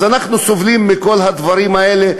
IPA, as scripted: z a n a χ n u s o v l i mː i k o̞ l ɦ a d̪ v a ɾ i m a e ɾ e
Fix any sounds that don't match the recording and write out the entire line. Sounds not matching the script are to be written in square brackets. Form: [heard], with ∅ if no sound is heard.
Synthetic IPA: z a n a χ n u s o v l i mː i k o̞ l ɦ a d̪ v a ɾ i m a e [l] e